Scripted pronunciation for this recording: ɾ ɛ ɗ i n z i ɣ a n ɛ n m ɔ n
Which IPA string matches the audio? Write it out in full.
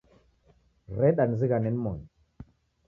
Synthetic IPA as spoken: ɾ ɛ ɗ a n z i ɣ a n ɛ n m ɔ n